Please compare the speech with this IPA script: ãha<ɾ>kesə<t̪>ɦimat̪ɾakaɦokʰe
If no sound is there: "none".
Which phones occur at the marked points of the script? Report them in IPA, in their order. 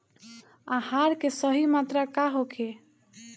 ɾ, none

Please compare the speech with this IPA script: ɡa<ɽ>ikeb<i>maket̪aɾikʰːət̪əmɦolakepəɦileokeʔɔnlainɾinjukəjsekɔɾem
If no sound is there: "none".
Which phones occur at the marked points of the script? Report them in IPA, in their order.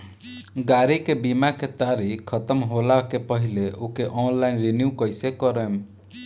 ɾ, i

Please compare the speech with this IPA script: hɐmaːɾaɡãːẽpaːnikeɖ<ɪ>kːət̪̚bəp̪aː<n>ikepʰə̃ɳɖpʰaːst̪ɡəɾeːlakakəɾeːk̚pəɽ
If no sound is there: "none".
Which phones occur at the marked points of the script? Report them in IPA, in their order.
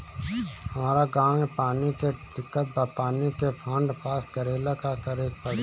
ɪ, n

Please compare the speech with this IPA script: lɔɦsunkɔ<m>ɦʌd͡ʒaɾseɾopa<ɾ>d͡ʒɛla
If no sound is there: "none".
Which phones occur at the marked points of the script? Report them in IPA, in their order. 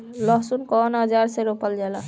n, l

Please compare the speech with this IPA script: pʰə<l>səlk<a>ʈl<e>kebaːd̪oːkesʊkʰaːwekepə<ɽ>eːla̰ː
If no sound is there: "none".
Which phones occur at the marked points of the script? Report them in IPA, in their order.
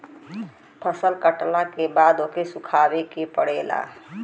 none, ə, a, ɽ

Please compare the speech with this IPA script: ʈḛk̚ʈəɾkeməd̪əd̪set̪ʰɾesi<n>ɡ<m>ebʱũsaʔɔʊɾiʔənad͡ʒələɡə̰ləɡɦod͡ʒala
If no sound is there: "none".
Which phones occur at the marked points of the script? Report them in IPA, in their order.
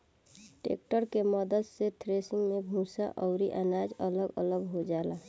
ŋ, m

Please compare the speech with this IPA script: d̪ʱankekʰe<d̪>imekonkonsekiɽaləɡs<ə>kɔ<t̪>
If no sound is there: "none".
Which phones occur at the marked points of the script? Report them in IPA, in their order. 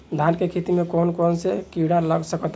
t̪, ə, t̪

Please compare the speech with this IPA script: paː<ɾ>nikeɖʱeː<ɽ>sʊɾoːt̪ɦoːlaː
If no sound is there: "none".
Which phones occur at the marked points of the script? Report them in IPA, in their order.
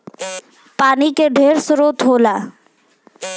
none, ɾ

